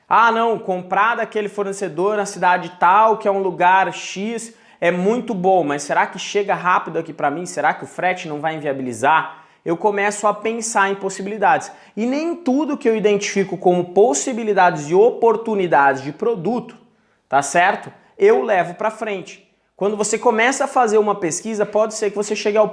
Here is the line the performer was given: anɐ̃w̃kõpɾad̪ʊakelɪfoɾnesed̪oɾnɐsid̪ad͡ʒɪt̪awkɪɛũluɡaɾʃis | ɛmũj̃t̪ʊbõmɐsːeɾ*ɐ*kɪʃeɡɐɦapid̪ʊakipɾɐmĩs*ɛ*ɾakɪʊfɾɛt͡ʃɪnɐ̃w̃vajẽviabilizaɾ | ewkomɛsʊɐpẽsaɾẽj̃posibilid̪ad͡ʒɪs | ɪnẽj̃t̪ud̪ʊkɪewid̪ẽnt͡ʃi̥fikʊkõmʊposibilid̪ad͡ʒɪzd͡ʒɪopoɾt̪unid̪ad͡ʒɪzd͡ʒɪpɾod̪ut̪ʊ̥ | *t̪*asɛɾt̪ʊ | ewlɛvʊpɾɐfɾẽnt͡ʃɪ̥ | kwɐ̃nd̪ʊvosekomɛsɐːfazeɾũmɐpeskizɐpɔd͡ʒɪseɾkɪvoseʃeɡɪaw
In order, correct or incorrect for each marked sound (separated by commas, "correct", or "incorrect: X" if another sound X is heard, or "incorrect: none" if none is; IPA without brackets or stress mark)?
incorrect: a, incorrect: e, correct